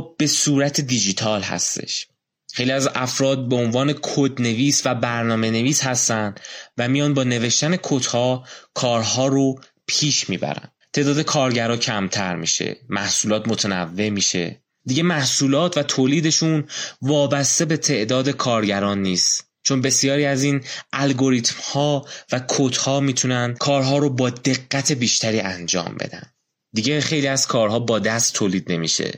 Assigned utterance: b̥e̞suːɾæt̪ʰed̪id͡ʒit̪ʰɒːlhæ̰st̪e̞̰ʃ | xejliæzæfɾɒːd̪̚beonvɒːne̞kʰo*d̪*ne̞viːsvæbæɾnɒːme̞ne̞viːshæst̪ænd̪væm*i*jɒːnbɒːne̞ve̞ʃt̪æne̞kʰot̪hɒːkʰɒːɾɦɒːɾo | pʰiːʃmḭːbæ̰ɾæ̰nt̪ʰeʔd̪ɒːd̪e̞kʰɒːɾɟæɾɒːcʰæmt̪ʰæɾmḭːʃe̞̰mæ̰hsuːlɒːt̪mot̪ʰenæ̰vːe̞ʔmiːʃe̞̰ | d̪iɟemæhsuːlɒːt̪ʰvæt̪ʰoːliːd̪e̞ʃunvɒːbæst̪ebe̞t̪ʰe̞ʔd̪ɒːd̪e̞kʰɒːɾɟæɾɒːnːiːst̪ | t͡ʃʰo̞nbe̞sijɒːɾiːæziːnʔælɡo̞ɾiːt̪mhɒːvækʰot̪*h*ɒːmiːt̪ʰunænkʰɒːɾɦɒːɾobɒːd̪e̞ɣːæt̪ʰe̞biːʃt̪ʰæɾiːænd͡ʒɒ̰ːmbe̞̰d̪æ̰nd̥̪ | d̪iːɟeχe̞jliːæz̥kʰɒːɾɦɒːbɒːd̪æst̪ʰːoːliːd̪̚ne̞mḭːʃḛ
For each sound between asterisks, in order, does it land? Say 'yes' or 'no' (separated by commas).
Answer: yes, yes, yes